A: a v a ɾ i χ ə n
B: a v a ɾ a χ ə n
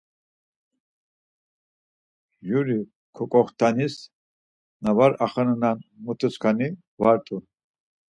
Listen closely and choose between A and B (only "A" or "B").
B